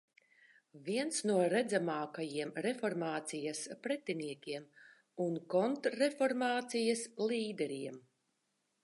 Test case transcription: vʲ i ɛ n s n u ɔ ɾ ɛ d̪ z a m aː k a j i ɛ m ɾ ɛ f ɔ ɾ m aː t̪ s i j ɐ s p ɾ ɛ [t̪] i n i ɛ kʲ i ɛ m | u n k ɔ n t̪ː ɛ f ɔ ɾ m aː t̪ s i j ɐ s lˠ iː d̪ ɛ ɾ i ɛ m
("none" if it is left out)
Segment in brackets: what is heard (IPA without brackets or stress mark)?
t̪